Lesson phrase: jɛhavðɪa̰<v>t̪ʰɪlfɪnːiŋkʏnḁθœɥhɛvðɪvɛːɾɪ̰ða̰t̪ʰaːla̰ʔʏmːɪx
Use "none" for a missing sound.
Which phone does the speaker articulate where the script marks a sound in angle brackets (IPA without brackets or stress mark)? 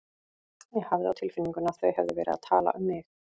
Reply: w